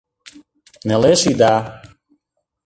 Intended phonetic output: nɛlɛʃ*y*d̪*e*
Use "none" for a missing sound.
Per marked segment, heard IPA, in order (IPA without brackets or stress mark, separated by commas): i, a